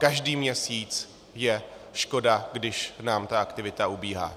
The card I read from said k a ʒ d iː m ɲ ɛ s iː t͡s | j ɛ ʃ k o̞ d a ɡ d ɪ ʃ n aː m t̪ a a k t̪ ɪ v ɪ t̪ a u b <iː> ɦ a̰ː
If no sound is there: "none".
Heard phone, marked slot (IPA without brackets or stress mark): iː